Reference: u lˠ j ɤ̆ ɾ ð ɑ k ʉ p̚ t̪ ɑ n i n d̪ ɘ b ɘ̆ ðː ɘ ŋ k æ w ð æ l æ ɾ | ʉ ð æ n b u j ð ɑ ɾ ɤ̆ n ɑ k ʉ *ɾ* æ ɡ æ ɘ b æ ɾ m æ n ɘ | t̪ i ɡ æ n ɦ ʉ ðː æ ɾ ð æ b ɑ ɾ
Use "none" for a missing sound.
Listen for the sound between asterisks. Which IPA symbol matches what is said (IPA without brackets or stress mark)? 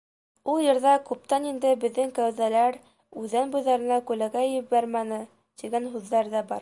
l